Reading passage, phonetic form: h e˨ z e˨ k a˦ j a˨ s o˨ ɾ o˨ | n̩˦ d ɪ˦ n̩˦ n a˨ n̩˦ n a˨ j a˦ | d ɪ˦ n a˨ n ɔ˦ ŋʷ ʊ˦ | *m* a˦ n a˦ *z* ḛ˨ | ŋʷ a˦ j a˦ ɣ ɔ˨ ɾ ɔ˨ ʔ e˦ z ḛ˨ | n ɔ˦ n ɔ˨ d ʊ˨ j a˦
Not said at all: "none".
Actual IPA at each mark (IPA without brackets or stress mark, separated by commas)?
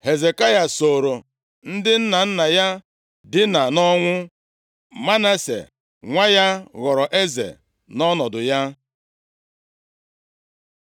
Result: m, s